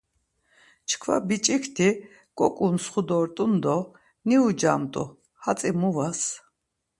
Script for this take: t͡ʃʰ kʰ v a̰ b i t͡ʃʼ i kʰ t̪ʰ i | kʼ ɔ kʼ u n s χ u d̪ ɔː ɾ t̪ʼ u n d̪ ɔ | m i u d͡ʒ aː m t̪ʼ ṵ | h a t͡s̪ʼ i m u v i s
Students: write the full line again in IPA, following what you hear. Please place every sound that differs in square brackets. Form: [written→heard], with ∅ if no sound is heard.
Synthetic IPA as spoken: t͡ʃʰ kʰ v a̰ b i t͡ʃʼ i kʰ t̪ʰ i | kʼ ɔ kʼ u n s χ u d̪ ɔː ɾ t̪ʼ u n d̪ ɔ | [m→n] i u d͡ʒ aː m t̪ʼ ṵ | h a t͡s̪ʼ i m u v [i→a] s